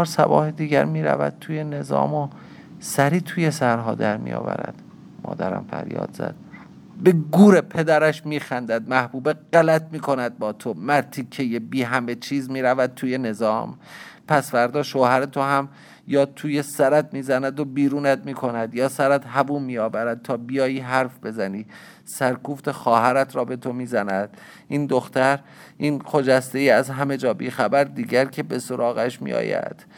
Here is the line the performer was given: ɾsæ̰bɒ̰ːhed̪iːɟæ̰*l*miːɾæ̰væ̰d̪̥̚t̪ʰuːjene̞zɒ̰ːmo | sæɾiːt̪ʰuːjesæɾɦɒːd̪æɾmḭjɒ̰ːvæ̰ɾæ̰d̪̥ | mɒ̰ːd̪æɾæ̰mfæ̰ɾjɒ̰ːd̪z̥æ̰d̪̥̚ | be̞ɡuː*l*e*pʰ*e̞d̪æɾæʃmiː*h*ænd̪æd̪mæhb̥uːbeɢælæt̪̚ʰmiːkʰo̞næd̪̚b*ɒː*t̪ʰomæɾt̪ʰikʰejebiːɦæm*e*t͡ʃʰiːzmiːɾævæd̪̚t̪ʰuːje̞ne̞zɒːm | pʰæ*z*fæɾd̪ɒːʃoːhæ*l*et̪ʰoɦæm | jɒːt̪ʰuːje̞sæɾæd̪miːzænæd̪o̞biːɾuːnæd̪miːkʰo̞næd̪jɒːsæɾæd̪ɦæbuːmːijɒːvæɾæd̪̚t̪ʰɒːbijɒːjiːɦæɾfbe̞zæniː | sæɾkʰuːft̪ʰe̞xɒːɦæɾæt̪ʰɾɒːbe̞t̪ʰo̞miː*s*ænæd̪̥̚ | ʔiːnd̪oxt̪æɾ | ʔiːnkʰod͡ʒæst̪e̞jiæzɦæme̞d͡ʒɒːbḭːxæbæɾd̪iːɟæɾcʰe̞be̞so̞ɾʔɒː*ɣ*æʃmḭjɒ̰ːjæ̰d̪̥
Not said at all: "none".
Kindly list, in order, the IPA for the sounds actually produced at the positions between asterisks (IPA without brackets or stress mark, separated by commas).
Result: ɾ, ɾ, pʰ, x, ɒː, e, s, ɾ, z, ɣ